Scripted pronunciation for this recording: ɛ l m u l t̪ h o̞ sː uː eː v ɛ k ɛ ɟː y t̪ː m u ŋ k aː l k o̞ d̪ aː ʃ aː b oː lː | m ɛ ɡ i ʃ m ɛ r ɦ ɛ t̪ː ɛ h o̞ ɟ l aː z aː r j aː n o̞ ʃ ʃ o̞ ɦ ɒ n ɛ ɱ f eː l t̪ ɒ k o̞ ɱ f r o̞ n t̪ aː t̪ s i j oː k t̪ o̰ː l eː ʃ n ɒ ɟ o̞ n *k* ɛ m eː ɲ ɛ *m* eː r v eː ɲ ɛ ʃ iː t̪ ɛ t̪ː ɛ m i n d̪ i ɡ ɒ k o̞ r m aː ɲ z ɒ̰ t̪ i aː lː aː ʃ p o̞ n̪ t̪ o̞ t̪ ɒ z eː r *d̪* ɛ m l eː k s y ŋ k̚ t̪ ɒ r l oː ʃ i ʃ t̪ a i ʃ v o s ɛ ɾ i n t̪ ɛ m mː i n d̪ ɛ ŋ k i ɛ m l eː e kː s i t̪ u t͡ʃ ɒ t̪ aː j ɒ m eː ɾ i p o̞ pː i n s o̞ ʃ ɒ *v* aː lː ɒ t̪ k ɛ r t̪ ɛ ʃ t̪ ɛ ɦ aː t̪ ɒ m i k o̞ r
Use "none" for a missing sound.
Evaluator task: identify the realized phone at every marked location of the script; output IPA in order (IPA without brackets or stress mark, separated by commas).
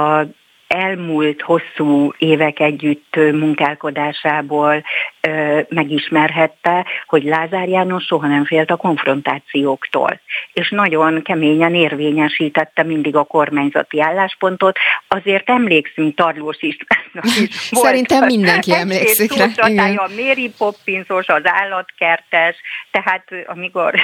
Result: k, n, t̪, z